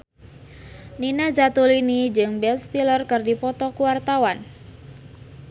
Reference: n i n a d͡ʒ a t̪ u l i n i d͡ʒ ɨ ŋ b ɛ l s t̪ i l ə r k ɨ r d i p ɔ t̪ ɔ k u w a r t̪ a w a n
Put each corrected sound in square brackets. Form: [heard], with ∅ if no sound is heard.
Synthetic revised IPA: n i n a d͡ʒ a t̪ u l i n i d͡ʒ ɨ ŋ b ɛ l s t̪ i l ə r k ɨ r d i p ɔ t̪ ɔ k u w a r t̪ a w a n